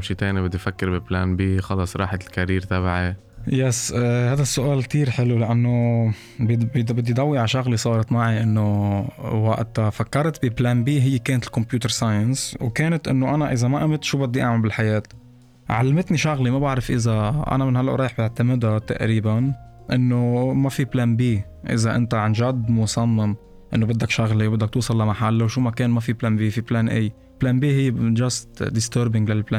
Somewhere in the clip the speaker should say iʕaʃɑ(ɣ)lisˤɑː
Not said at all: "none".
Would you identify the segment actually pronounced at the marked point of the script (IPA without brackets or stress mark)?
ɣ